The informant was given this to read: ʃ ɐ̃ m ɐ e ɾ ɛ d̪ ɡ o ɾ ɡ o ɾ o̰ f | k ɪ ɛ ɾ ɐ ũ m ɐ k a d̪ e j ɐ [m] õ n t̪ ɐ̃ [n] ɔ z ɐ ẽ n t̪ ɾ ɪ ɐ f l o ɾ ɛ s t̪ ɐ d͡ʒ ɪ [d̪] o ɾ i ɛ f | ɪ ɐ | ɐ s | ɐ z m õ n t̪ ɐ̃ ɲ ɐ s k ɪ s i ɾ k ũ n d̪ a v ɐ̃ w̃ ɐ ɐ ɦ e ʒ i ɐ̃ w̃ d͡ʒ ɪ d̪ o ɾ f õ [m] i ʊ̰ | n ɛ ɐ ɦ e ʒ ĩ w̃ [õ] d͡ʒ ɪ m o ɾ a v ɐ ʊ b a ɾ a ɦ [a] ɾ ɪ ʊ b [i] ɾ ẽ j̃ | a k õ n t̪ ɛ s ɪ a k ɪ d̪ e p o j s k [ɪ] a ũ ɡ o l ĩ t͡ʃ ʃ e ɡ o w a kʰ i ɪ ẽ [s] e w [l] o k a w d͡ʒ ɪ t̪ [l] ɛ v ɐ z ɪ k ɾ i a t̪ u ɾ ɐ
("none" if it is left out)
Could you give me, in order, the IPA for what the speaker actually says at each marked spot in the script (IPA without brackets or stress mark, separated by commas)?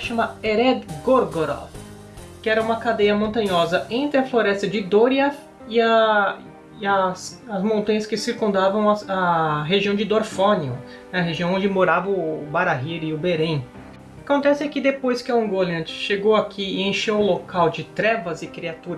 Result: m, ɲ, d̪, n, õ, i, e, ɪ, ʃ, l, ɾ